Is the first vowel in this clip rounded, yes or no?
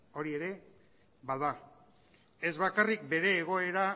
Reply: yes